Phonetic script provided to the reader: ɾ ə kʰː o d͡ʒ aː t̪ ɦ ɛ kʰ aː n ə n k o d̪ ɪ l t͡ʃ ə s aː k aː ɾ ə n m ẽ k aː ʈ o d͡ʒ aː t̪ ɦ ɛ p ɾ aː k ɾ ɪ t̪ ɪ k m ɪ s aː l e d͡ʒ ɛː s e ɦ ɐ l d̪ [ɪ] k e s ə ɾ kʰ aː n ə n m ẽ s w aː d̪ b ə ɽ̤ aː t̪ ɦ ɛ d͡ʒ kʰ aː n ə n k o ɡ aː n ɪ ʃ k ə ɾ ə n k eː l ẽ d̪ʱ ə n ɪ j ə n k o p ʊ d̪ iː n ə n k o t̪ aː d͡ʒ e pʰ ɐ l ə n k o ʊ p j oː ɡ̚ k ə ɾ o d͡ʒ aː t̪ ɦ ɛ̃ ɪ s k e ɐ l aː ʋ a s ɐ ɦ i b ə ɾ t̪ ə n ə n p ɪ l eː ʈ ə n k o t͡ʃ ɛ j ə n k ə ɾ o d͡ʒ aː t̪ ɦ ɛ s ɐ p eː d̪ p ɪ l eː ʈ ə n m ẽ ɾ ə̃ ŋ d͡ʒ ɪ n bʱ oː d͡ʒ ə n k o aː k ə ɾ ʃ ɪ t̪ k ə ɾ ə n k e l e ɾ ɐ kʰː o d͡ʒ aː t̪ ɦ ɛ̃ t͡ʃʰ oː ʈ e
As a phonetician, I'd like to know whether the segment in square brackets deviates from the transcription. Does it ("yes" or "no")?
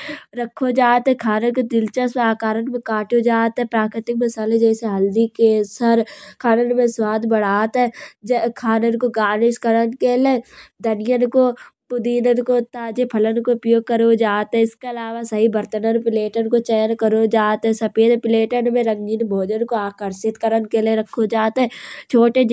yes